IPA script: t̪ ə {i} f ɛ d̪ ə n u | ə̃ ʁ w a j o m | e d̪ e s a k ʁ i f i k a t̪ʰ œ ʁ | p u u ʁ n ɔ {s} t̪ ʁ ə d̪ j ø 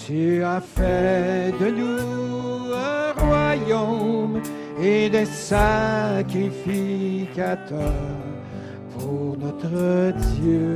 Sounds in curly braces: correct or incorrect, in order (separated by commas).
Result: incorrect, incorrect